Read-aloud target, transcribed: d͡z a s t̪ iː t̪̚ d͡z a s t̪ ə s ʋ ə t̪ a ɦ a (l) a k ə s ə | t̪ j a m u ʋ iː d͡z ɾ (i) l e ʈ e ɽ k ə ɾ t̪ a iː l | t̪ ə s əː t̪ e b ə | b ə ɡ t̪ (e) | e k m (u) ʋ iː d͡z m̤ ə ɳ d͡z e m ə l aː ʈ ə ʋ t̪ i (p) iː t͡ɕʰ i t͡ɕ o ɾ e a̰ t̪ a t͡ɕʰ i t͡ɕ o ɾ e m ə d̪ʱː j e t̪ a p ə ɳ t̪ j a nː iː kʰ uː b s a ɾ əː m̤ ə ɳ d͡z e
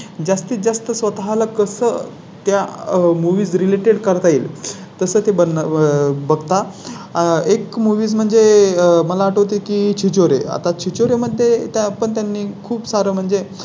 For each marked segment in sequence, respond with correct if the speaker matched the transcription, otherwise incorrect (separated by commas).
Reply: correct, correct, incorrect, correct, incorrect